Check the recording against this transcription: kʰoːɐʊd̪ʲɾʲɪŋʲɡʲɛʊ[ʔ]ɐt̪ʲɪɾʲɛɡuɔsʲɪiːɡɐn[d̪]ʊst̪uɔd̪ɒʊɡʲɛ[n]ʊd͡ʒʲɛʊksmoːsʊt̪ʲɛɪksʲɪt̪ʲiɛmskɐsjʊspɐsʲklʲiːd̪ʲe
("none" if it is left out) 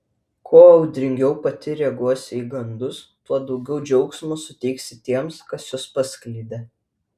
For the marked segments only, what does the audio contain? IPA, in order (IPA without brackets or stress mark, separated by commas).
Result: p, d̪, none